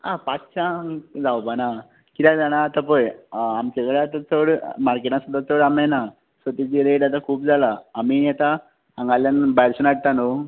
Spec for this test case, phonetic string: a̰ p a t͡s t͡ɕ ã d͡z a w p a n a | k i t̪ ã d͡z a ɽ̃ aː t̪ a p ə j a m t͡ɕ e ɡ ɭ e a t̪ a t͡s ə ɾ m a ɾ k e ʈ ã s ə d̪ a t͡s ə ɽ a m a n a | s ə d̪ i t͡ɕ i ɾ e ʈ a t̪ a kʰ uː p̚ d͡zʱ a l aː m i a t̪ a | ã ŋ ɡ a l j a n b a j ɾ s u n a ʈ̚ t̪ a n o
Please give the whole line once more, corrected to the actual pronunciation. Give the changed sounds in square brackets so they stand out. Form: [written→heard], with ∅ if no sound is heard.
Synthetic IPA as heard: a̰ p a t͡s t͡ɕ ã d͡z a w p a n a | k i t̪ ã d͡z a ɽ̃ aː t̪ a p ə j a m t͡ɕ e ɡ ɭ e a t̪ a t͡s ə [ɾ→ɽ] m a ɾ k e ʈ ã s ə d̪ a t͡s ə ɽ a m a n a | s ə [d̪→t̪] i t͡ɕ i ɾ e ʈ a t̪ a kʰ uː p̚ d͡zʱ a l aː m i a t̪ a | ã ŋ ɡ a l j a n b a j ɾ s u n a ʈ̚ t̪ a n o